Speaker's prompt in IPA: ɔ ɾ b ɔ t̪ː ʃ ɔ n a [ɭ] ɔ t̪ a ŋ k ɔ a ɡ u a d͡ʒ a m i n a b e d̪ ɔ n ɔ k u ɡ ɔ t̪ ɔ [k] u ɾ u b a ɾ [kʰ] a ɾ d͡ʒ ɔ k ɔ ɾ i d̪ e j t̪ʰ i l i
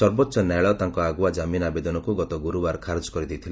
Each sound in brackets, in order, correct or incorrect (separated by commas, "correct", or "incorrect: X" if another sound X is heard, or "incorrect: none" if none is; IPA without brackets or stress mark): correct, incorrect: ɡ, correct